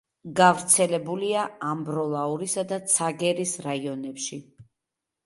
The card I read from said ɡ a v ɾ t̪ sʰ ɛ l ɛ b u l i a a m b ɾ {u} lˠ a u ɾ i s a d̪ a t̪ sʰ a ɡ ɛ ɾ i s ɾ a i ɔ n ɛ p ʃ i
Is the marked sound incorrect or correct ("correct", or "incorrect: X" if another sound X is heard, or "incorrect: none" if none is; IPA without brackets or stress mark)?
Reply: incorrect: ɔ